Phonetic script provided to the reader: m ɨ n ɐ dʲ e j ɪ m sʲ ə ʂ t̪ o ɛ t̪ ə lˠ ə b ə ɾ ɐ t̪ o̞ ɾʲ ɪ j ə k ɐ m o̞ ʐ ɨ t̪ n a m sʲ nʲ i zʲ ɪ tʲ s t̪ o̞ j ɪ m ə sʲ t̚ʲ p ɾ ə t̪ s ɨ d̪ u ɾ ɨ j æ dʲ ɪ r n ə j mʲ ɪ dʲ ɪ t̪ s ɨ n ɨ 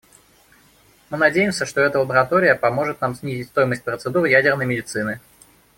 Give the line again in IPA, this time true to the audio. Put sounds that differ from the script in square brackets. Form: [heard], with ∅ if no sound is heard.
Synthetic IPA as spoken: m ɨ n ɐ dʲ e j ɪ m sʲ ə ʂ t̪ o ɛ t̪ ə lˠ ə b ə ɾ ɐ t̪ o̞ ɾʲ ɪ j ə [p] ɐ m o̞ ʐ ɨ t̪ n a m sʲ nʲ i zʲ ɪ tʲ s t̪ o̞ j ɪ m ə sʲ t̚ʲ p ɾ ə t̪ s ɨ d̪ u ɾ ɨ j æ dʲ ɪ r n ə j mʲ ɪ dʲ ɪ t̪ s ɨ n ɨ